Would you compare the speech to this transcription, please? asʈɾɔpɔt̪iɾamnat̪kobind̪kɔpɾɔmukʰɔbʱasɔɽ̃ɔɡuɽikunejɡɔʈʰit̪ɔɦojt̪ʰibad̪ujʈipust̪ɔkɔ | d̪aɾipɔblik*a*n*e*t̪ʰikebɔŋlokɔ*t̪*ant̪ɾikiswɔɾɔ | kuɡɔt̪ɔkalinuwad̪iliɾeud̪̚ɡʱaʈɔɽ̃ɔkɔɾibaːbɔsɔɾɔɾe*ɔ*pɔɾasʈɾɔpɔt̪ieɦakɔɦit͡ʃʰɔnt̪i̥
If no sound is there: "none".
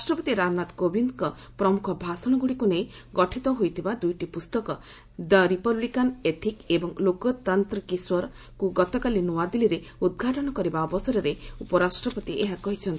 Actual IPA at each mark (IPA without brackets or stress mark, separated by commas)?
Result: a, e, t̪, u